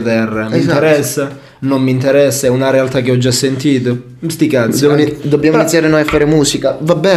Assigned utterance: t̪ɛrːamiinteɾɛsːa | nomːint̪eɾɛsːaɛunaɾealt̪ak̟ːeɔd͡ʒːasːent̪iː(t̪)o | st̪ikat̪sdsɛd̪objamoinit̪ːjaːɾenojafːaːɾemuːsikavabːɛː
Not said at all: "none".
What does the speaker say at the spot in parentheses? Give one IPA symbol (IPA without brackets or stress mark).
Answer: t̪